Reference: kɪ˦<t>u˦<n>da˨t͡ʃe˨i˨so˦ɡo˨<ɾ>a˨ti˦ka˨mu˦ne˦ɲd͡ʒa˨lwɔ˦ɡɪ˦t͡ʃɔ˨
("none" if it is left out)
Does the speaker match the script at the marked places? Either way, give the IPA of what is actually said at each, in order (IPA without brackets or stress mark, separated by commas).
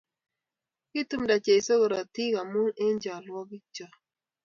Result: t, m, ɾ